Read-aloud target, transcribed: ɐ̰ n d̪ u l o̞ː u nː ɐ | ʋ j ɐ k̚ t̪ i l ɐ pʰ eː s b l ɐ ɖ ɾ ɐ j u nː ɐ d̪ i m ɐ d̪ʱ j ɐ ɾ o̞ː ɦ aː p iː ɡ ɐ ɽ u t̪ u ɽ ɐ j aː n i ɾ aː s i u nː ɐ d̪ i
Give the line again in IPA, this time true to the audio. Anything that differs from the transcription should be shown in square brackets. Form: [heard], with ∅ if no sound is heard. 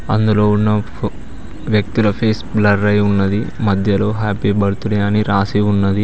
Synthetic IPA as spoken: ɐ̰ n d̪ u l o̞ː u nː ɐ | ʋ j ɐ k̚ t̪ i l ɐ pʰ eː s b l ɐ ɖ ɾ ɐ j u nː ɐ d̪ i m ɐ d̪ʱ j ɐ [l] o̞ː ɦ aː p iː [b] ɐ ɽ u t̪ u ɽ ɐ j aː n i ɾ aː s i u nː ɐ d̪ i